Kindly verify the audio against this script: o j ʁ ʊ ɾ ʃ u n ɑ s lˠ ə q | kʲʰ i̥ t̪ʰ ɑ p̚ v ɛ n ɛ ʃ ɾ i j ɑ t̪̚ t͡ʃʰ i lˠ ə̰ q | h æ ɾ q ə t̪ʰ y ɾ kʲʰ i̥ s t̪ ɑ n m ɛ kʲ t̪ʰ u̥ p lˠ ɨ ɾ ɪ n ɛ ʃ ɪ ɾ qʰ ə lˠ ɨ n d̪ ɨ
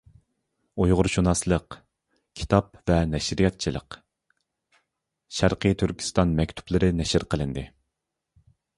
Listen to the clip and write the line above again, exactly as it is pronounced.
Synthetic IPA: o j ʁ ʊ ɾ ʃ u n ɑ s lˠ ə q | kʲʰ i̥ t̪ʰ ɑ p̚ v ɛ n ɛ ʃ ɾ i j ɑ t̪̚ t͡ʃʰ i lˠ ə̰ q | ʃ æ ɾ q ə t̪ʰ y ɾ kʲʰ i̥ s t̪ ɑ n m ɛ kʲ t̪ʰ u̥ p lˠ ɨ ɾ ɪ n ɛ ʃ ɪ ɾ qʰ ə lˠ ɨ n d̪ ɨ